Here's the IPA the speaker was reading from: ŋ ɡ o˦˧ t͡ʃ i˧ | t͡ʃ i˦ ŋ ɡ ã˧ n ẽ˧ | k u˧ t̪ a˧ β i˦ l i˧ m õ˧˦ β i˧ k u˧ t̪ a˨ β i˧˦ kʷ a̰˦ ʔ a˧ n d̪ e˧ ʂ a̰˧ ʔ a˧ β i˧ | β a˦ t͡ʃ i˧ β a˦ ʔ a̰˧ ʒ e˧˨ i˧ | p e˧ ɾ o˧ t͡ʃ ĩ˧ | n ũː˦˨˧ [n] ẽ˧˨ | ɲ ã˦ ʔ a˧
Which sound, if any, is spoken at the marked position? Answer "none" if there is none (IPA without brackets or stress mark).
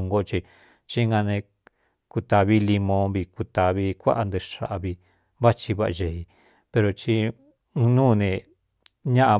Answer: n